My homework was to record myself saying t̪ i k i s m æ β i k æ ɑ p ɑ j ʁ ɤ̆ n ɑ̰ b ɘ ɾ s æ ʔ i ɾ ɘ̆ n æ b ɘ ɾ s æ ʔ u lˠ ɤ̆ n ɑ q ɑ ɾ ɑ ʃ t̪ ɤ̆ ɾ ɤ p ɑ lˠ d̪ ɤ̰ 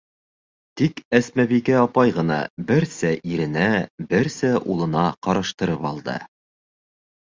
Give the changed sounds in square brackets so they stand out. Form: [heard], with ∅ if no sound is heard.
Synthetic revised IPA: t̪ i k [æ] s m æ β i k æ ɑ p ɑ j ʁ ɤ̆ n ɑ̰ b ɘ ɾ s æ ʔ i ɾ ɘ̆ n æ b ɘ ɾ s æ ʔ u lˠ ɤ̆ n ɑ q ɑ ɾ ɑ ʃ t̪ ɤ̆ ɾ ɤ p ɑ lˠ d̪ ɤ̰